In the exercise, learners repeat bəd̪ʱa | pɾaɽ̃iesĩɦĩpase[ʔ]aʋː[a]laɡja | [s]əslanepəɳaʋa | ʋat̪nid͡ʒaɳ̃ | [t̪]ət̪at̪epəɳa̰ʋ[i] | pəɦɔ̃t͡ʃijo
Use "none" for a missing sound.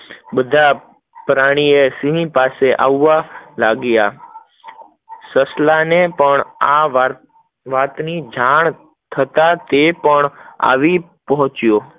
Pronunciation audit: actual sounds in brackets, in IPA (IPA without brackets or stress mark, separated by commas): ʔ, a, s, t̪ʰ, i